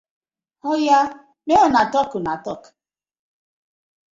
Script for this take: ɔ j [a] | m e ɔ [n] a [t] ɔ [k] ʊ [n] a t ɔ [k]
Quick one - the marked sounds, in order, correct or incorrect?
correct, correct, correct, correct, correct, correct

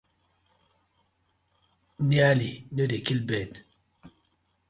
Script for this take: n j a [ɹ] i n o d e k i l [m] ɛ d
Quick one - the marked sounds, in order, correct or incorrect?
incorrect: l, incorrect: b

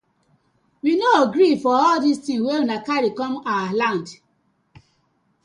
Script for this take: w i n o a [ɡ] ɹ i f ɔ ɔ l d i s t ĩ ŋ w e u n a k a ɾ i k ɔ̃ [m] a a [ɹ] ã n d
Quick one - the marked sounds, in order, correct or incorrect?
correct, correct, incorrect: l

